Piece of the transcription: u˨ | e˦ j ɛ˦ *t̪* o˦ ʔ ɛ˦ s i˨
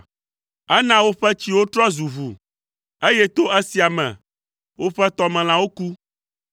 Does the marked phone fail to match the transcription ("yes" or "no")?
no